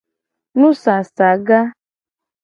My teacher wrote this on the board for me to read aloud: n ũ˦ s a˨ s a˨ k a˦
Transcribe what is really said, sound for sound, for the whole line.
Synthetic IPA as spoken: n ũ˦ s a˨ s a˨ ɡ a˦